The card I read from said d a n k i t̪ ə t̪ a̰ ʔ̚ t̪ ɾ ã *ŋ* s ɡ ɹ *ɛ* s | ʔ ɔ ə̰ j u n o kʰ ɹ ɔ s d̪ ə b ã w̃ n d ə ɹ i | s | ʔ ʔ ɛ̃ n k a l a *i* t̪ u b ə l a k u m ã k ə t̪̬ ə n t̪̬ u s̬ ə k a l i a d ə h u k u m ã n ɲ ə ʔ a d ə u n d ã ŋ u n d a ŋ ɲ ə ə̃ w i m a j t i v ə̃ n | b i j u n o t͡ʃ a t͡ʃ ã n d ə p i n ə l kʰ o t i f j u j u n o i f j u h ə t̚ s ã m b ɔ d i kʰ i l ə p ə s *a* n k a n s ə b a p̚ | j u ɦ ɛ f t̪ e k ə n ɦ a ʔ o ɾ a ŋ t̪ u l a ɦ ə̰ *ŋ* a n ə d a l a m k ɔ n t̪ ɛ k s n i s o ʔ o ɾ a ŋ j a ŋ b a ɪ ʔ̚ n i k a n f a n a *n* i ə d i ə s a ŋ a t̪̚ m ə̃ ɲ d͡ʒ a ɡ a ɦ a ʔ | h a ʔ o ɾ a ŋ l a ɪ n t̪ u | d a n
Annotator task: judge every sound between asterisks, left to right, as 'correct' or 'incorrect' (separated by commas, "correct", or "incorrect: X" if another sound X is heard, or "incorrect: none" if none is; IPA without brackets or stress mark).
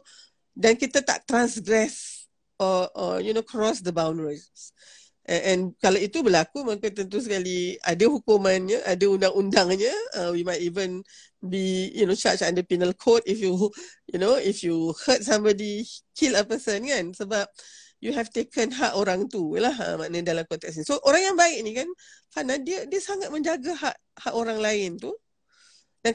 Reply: incorrect: n, correct, correct, incorrect: ə, incorrect: m, incorrect: d